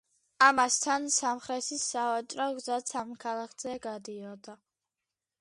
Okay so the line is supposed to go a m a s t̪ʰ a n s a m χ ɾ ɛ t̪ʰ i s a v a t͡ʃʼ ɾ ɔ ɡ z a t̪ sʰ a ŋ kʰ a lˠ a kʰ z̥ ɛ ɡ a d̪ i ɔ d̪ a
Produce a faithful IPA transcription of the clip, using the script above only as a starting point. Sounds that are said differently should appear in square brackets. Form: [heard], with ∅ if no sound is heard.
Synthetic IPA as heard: a m a s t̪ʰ a n s a m χ ɾ ɛ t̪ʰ i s a v a t͡ʃʼ ɾ ɔ ɡ z a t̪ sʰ a [m] kʰ a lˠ a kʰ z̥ ɛ ɡ a d̪ i ɔ d̪ a